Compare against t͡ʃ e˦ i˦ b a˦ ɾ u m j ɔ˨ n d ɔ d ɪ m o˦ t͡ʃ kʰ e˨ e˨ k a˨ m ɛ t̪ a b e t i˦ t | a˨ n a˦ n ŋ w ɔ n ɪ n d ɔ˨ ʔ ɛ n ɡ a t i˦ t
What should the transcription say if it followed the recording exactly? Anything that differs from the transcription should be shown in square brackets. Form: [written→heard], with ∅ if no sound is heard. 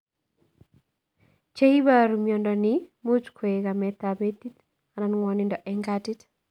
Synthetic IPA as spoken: t͡ʃ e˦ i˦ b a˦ ɾ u m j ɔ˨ n d ɔ [d→n] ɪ m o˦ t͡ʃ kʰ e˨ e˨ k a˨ m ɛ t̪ a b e t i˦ t | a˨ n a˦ n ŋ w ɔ n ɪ n d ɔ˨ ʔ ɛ [n→ŋ] ɡ a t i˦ t